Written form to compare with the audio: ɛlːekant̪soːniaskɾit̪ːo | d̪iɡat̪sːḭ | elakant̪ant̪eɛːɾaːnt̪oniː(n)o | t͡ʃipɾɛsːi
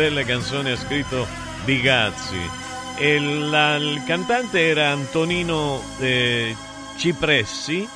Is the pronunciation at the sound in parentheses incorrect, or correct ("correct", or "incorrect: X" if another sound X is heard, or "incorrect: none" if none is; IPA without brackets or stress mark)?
correct